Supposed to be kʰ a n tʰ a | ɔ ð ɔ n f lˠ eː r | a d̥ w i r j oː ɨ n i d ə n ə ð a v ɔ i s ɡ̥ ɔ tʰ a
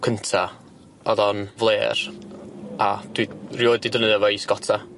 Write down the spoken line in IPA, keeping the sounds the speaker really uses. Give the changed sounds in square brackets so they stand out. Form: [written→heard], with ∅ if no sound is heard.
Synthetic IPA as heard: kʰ [a→ə] n tʰ a | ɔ ð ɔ n [f→v] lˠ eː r | a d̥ w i r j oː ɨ [n→d] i d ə n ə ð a v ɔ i s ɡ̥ ɔ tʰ a